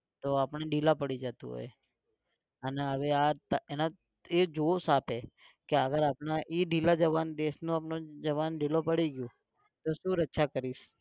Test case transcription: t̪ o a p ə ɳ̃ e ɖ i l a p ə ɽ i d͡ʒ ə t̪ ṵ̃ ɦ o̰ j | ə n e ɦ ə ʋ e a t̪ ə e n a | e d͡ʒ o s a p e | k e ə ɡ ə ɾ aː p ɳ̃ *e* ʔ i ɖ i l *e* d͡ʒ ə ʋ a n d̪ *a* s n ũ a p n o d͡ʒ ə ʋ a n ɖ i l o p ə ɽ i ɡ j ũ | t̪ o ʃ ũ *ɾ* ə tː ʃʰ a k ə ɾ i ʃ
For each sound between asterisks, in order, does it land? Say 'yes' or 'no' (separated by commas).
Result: no, no, no, yes